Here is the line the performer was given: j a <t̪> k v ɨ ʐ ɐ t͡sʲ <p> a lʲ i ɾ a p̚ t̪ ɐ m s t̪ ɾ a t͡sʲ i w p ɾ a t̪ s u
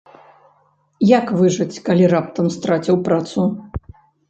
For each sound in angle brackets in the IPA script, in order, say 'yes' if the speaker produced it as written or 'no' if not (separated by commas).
no, no